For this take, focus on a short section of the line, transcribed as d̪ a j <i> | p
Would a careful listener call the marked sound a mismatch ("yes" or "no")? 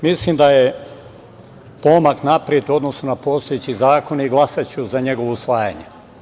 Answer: yes